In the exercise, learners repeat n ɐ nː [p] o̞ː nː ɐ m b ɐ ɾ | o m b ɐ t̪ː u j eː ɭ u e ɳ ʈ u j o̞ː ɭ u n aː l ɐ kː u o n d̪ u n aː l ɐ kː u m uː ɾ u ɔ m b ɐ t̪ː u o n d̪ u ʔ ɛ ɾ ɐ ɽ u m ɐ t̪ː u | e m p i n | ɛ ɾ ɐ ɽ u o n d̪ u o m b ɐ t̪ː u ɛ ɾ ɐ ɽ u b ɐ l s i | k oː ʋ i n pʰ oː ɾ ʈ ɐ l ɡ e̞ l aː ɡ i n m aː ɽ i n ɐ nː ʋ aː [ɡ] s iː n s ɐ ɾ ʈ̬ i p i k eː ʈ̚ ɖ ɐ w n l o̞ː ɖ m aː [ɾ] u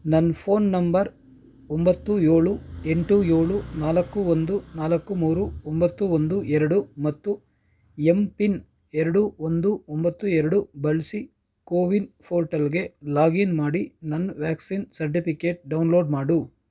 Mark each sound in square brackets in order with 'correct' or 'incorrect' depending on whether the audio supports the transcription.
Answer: incorrect: pʰ, incorrect: k, incorrect: ɽ

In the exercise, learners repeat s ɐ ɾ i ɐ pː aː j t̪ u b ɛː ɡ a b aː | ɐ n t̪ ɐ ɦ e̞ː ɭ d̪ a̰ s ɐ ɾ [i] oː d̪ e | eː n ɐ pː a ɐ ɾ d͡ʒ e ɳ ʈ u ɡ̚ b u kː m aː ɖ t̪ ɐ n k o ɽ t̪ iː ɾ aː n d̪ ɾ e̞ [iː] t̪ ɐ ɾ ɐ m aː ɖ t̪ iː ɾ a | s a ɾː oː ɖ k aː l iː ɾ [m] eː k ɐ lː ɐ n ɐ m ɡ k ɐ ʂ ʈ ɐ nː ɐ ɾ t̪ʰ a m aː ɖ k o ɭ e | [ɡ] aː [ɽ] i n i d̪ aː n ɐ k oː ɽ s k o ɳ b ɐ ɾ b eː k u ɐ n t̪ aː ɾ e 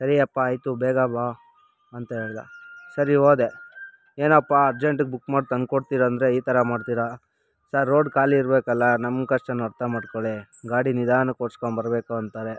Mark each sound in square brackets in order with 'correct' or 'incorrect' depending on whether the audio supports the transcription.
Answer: correct, correct, incorrect: b, correct, correct

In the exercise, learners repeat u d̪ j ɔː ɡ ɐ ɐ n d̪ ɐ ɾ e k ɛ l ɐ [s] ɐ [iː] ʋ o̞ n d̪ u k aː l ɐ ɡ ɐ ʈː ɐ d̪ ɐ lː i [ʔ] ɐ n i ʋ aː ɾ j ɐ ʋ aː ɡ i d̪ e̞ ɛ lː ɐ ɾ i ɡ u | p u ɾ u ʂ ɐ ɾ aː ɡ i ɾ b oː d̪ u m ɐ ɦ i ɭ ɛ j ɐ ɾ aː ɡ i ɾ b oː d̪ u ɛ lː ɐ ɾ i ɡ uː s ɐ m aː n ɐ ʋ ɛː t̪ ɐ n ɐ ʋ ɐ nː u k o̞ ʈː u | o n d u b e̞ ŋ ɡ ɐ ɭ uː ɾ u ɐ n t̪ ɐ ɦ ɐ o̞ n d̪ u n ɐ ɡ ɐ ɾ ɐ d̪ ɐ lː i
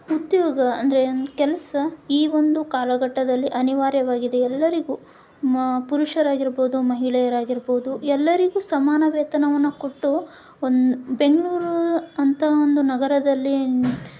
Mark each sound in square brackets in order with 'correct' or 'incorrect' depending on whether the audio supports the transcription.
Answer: correct, correct, correct

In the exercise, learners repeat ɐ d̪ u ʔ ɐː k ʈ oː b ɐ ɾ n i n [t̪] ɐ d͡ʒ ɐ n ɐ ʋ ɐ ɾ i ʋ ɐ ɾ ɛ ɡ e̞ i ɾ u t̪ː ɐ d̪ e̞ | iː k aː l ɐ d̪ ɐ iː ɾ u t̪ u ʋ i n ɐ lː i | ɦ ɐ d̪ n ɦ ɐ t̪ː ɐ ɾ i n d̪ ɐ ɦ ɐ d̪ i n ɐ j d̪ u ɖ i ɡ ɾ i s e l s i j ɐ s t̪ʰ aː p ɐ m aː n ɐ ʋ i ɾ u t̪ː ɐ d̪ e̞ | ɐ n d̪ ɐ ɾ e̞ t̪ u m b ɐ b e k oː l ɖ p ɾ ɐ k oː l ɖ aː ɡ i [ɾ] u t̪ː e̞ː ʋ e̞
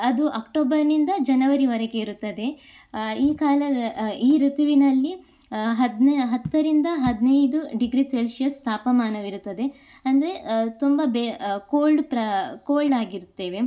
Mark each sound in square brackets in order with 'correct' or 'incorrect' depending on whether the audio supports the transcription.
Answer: incorrect: d̪, correct

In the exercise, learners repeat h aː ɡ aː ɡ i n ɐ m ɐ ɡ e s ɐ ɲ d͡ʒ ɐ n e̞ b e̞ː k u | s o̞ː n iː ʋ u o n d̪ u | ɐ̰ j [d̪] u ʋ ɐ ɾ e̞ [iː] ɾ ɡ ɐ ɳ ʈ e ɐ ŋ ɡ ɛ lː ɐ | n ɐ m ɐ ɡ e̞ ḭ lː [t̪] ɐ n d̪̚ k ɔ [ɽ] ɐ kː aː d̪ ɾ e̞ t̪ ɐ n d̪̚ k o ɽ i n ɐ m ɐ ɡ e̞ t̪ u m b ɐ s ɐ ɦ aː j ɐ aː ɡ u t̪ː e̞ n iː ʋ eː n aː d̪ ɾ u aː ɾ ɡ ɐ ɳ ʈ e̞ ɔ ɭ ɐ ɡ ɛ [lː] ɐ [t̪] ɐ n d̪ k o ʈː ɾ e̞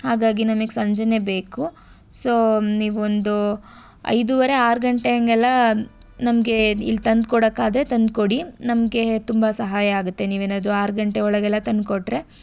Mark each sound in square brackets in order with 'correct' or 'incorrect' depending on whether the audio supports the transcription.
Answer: correct, incorrect: aː, correct, correct, correct, correct

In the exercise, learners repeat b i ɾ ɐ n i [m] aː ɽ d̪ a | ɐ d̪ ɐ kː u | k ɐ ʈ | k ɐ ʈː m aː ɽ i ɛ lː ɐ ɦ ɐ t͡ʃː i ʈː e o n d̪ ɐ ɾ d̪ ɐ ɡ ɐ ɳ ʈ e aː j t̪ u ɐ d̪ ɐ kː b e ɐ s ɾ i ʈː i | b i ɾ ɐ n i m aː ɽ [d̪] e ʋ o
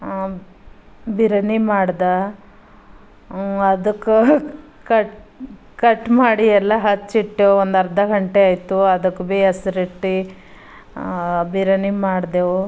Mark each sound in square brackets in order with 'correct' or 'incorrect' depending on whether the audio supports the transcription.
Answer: correct, correct

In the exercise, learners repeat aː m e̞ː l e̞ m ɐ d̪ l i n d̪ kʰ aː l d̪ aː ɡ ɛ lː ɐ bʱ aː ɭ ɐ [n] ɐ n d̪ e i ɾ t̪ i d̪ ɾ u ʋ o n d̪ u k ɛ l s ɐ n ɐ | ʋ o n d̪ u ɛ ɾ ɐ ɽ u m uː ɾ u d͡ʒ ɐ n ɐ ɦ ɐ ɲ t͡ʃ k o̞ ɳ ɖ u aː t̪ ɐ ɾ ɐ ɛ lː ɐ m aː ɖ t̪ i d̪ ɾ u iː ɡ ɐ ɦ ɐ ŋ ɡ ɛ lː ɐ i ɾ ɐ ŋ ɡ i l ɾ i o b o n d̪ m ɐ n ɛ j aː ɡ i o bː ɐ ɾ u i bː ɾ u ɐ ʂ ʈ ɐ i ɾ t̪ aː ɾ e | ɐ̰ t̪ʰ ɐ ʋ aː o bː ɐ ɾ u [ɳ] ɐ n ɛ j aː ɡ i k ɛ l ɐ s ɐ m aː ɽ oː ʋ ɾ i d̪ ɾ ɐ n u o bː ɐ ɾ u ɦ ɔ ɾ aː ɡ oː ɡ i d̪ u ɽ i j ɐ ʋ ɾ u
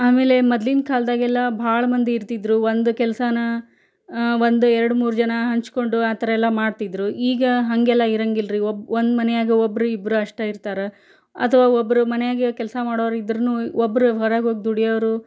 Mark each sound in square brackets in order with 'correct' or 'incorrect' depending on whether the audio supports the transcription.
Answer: incorrect: m, incorrect: m

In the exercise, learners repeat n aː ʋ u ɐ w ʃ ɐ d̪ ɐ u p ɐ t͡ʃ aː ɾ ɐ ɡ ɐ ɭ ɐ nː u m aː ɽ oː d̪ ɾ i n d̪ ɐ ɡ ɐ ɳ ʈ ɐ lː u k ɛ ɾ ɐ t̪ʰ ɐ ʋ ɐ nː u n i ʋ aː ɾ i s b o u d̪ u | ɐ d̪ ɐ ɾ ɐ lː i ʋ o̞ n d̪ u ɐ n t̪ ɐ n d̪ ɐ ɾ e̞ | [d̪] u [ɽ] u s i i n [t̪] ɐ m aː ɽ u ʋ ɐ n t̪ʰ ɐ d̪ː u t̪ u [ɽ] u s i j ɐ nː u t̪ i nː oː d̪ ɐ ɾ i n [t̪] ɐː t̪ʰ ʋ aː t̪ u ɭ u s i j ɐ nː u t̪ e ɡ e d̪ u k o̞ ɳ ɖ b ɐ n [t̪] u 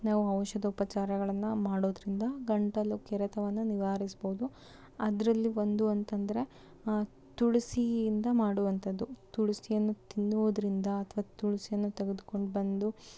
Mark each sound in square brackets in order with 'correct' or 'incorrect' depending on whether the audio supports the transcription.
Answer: incorrect: t̪, incorrect: ɭ, incorrect: d̪, incorrect: ɭ, incorrect: d̪, incorrect: d̪

